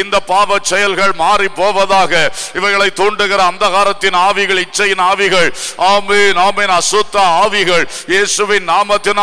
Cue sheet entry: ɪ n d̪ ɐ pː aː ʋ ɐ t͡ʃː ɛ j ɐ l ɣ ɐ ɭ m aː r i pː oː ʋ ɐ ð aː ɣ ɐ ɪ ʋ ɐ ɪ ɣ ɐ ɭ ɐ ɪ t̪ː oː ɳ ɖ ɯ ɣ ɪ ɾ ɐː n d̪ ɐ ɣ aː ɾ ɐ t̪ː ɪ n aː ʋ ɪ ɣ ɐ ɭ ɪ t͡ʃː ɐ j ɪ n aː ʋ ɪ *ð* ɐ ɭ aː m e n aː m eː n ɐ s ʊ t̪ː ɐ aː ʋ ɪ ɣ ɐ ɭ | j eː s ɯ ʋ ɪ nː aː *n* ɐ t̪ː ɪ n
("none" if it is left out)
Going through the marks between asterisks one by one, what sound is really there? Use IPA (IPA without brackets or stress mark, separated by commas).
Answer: ɣ, m